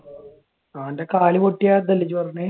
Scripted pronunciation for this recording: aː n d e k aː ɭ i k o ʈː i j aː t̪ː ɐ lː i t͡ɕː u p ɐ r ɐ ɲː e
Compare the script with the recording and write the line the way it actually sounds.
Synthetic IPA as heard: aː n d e k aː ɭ i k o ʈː i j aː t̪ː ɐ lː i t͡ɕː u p ɐ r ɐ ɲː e